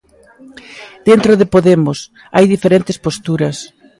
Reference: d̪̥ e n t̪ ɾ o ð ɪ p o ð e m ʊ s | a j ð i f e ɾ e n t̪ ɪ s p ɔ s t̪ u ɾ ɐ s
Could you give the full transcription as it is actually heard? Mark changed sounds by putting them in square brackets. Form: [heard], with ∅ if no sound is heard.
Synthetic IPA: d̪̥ e n t̪ ɾ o ð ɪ p o ð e m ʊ s | a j ð i f e ɾ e n t̪ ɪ s p [o] s t̪ u ɾ ɐ s